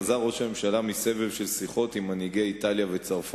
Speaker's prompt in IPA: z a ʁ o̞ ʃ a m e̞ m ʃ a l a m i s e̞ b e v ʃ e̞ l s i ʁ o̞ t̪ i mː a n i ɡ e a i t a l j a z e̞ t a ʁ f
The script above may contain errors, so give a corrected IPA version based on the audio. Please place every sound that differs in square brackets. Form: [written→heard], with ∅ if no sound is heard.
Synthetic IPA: z a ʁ o̞ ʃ a m e̞ m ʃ a l a m i s e̞ [b→v] e v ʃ e̞ l s i [ʁ→χ] o̞ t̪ i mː a n i ɡ e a i t a l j a [z→v] e̞ [t→t͡s] a ʁ f